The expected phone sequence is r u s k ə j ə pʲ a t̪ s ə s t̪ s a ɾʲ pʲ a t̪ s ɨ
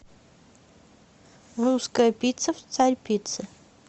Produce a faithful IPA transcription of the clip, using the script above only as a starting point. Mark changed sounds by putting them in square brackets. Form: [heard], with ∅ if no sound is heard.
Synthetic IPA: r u s k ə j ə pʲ [i] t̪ s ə [f] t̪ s a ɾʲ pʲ [i] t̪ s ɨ